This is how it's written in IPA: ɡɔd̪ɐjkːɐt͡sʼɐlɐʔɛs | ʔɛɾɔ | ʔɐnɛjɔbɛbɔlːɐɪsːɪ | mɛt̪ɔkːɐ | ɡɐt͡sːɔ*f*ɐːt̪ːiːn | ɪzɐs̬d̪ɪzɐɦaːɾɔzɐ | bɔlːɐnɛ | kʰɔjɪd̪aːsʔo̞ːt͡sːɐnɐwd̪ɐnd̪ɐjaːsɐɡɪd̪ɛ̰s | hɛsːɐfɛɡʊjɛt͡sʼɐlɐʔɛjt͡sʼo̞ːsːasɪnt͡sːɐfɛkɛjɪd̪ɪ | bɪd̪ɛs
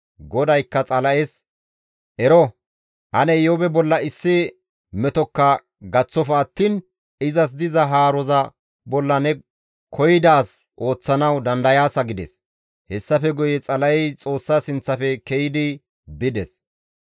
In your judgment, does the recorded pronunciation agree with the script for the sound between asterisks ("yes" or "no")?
yes